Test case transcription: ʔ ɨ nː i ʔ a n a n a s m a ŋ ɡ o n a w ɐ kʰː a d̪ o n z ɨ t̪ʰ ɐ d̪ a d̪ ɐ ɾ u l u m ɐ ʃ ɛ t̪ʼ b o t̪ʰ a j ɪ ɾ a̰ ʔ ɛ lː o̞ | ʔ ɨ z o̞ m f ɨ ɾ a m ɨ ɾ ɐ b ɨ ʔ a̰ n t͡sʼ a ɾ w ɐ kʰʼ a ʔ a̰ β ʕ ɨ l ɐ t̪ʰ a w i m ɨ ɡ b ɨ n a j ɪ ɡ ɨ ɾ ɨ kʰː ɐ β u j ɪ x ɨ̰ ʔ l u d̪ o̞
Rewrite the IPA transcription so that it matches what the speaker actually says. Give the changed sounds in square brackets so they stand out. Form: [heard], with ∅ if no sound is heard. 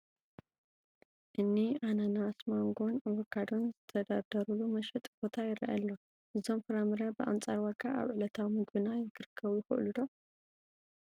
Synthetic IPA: ʔ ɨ nː i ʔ a n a n a s m a ŋ ɡ o n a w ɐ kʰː a d̪ o n z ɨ t̪ʰ ɐ d̪ a d̪ ɐ ɾ u l u m ɐ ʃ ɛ t̪ʼ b o t̪ʰ a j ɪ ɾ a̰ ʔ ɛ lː o̞ | ʔ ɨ z o̞ m f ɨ ɾ a m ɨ ɾ ɐ b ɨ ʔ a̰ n t͡sʼ a ɾ w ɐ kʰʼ a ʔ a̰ β ʕ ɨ l ɐ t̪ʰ a w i m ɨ ɡ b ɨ n a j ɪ ɡ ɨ ɾ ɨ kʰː ɐ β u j ɪ x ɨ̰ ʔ l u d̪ o̞